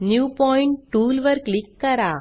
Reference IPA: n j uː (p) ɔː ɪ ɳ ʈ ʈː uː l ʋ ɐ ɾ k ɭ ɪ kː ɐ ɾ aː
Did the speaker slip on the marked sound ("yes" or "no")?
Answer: no